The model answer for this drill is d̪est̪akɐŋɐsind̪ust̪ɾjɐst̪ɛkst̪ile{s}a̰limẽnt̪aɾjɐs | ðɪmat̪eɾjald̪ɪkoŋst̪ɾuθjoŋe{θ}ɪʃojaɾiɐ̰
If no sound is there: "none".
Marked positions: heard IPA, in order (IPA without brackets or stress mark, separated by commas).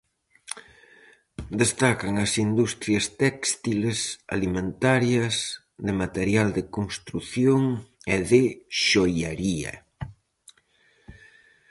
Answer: s, ð